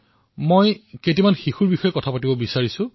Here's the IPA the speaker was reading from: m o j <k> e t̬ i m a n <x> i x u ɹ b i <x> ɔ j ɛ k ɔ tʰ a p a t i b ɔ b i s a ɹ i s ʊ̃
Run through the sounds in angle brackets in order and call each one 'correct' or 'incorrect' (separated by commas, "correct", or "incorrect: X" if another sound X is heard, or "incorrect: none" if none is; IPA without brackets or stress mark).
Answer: correct, correct, correct